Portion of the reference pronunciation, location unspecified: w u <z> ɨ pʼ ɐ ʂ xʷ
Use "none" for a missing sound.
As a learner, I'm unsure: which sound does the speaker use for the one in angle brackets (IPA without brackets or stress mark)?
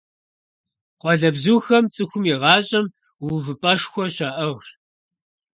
v